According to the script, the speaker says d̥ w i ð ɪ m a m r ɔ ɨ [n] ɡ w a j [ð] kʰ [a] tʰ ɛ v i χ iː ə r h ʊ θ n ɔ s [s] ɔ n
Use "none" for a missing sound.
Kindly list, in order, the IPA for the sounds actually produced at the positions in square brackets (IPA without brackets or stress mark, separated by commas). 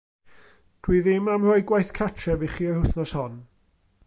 none, θ, a, h